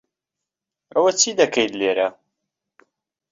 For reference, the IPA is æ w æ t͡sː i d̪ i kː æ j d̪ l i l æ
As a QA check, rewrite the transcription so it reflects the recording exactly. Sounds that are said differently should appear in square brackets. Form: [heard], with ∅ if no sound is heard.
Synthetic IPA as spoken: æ w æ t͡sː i d̪ [æ] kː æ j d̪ l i [ɾ] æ